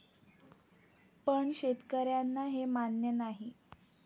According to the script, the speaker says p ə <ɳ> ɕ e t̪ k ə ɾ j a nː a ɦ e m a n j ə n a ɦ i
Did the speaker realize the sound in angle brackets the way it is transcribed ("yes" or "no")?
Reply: yes